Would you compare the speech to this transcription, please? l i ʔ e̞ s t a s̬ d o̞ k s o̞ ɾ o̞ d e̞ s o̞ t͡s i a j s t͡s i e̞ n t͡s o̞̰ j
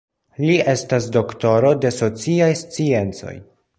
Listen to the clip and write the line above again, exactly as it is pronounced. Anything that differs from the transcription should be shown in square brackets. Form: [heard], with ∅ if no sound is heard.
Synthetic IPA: l i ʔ e̞ s t a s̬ d o̞ k [t] o̞ ɾ o̞ d e̞ s o̞ t͡s i a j s t͡s i e̞ n t͡s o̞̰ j